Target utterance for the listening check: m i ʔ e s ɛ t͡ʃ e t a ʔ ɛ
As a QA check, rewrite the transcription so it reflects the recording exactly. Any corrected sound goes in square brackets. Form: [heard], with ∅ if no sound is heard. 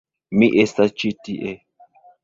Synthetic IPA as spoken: m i ʔ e s [a] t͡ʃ [i] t [i] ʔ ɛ

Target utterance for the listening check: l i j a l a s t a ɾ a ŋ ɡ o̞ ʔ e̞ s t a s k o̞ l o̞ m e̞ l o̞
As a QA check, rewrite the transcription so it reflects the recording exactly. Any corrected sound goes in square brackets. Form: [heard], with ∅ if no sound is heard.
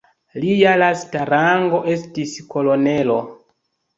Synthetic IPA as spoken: l i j a l a s t a ɾ a ŋ ɡ o̞ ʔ e̞ s t [i] s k o̞ l o̞ [n] e̞ l o̞

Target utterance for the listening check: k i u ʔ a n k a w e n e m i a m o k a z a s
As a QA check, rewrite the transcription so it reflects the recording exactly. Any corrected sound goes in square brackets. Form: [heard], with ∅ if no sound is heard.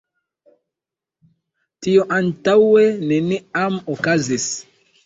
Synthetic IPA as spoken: [t] i [o] ʔ a n [t] a w e n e [n] i a m o k a z [i] s

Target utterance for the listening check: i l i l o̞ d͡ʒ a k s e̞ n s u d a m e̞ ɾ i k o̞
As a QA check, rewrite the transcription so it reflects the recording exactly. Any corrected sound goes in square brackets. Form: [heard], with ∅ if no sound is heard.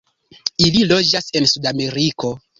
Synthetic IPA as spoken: i l i l o̞ d͡ʒ a [∅] s e̞ n s u d a m e̞ ɾ i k o̞

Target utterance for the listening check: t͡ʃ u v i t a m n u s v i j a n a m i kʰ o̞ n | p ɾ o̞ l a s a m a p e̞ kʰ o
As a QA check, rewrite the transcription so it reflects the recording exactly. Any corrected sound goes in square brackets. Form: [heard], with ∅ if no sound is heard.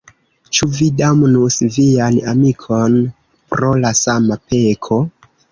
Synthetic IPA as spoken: t͡ʃ u v i [d] a m n u s v i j a n a m i kʰ o̞ n | p ɾ o̞ l a s a m a p e̞ kʰ o

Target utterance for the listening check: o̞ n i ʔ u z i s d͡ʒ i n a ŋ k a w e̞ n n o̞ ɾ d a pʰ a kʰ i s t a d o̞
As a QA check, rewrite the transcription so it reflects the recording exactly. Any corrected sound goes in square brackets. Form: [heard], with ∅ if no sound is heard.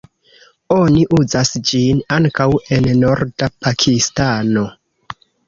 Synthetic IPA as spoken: o̞ n i ʔ u z [a] s d͡ʒ i n a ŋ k a w e̞ n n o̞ ɾ d a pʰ a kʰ i s t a [n] o̞

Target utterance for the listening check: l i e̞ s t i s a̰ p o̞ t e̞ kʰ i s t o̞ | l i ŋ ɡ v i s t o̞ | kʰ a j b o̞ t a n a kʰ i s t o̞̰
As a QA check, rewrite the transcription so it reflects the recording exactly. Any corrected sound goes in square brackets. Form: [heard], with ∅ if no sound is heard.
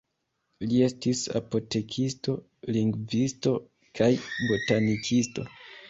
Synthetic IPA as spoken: l i e̞ s t i s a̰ p o̞ t e̞ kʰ i s t o̞ | l i ŋ ɡ v i s t o̞ | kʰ a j b o̞ t a n [i] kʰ i s t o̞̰

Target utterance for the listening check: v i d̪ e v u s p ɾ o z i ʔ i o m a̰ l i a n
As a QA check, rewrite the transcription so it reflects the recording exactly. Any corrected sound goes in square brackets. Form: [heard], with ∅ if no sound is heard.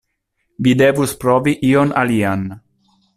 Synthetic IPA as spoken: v i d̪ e v u s p ɾ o [v] i ʔ i o [n] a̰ l i a n

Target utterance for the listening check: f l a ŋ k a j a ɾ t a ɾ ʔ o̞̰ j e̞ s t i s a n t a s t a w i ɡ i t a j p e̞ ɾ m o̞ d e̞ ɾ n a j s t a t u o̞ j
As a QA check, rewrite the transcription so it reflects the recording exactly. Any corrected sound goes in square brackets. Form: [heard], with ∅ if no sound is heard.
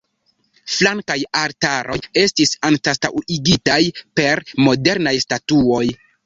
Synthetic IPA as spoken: f l a ŋ k a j a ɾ t a ɾ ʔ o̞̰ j e̞ s t i s a n t a s t a w i ɡ i t a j p e̞ ɾ m o̞ d e̞ ɾ n a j s t a t u o̞ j

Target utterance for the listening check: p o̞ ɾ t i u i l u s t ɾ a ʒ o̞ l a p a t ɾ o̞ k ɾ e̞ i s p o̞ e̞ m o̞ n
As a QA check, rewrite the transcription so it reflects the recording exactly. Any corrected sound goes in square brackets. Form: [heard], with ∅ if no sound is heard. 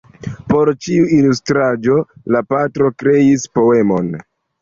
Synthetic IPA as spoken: p o̞ ɾ [t͡ʃ] i u i l u s t ɾ a [d͡ʒ] o̞ l a p a t ɾ o̞ k ɾ e̞ i s p o̞ e̞ m o̞ n

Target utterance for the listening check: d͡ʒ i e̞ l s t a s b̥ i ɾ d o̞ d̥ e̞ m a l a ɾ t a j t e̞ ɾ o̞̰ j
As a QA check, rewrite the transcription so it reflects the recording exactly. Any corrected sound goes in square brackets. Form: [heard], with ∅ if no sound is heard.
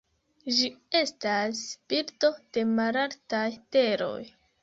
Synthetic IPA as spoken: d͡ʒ i e̞ [∅] s t a s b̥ i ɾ [t] o̞ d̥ e̞ m a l a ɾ t a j t e̞ ɾ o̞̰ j

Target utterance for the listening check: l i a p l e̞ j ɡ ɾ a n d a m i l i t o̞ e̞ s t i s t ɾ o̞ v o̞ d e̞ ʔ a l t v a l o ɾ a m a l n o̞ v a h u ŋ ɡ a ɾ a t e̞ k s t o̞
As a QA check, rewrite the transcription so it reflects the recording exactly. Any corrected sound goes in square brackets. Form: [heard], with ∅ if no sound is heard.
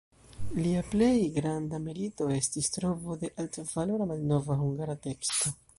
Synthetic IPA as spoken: l i a p l e̞ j ɡ ɾ a n d a m i l i t o̞ e̞ s t i s t ɾ o̞ v o̞ d e̞ ʔ a l t v a l o ɾ a m a l n o̞ v a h u ŋ ɡ a ɾ a t e̞ k s t o̞

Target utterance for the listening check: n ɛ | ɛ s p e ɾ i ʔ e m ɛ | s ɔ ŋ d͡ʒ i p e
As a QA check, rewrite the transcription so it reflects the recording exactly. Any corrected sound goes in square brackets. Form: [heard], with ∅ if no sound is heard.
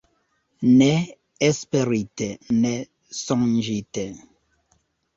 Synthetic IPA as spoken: n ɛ | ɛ s p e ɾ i [t] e [n] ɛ | s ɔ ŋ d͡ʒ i [t] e

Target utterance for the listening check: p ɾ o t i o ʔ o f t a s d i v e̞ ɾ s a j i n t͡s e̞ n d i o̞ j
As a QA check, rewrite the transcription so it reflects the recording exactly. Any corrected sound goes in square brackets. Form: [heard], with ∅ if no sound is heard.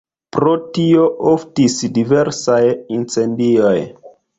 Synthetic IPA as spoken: p ɾ o t i o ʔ o f t [i] s d i v e̞ ɾ s a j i n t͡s e̞ n d i o̞ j

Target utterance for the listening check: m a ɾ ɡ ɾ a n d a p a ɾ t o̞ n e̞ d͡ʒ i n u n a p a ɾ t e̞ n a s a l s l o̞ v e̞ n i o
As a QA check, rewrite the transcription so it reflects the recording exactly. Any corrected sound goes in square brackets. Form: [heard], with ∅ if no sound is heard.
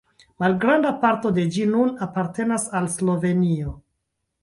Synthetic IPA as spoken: m a [l] ɡ ɾ a n d a p a ɾ t o̞ [d] e̞ d͡ʒ i n u n a p a ɾ t e̞ n a s a l s l o̞ v e̞ n i o

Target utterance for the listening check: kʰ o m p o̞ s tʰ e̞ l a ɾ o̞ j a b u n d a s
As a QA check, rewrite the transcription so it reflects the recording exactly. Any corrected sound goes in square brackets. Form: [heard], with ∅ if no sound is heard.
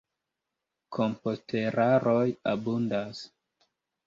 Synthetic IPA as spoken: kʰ o m p o̞ s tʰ e̞ [ɾ] a ɾ o̞ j a b u n d a s

